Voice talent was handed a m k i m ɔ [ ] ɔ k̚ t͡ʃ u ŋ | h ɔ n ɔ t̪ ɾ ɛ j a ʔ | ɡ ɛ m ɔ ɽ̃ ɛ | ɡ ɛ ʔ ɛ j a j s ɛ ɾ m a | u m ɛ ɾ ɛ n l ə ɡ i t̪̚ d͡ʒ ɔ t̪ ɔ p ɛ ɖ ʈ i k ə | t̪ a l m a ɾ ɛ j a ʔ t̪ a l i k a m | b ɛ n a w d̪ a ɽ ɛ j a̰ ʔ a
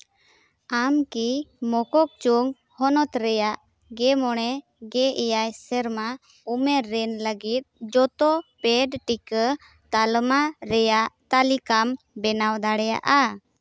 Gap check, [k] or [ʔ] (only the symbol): k